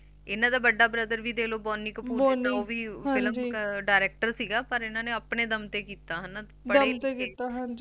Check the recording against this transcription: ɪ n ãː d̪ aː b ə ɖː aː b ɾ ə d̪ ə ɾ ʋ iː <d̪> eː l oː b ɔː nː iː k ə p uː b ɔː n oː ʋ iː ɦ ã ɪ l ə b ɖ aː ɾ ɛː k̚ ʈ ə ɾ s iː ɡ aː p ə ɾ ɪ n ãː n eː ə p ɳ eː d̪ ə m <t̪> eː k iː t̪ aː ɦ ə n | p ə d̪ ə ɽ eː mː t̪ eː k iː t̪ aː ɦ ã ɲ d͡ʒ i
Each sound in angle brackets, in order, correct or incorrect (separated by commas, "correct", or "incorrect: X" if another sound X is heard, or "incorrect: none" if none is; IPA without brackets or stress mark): correct, correct